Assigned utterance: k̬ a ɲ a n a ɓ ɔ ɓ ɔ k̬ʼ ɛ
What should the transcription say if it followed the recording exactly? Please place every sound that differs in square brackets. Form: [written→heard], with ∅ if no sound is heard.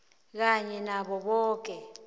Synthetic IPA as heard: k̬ a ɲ [a→ɛ] n a ɓ ɔ ɓ [ɔ→ɔː] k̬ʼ ɛ